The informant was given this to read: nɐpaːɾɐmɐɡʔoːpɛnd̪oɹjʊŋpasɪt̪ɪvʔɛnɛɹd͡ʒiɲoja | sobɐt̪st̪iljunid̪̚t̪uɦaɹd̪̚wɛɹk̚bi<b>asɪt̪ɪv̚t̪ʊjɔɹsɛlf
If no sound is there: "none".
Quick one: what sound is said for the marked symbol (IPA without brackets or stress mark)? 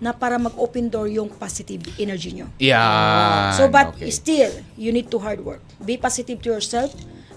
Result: p